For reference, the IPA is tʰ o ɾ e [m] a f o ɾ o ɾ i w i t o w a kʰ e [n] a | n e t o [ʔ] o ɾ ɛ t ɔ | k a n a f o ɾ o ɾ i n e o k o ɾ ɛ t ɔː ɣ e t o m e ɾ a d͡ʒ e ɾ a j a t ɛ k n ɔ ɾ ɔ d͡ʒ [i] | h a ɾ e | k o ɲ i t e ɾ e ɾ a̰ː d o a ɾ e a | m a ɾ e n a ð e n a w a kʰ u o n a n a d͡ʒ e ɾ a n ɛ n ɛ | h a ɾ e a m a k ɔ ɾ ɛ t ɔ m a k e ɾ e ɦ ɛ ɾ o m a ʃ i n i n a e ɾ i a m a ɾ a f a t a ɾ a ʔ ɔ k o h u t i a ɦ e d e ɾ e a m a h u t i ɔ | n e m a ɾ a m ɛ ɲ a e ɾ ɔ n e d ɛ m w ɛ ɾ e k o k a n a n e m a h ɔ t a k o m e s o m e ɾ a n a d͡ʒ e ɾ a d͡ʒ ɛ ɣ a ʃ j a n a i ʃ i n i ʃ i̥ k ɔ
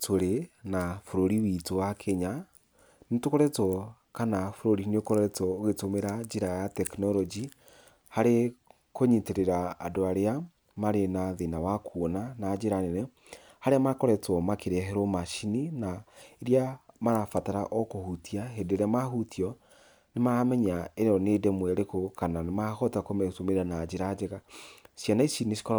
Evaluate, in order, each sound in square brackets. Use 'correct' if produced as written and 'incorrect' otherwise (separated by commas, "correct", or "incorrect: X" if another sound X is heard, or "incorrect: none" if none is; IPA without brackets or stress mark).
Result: incorrect: n, incorrect: ɲ, incorrect: k, correct